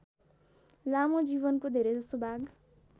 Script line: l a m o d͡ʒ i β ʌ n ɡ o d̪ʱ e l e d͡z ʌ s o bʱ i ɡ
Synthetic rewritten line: l a m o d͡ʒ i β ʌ n k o d̪ʱ e ɾ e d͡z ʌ s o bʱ a ɡ